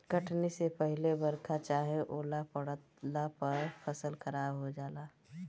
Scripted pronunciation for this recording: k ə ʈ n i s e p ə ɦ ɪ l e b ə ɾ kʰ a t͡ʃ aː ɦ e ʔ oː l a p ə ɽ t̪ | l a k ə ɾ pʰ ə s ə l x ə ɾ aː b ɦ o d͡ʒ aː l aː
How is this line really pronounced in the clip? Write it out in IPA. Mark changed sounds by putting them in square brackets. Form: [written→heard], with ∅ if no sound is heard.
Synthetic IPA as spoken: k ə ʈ n i s e p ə ɦ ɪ l e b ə ɾ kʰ a t͡ʃ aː ɦ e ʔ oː l a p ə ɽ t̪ | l a [k→p] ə ɾ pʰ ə s ə l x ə ɾ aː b ɦ o d͡ʒ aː l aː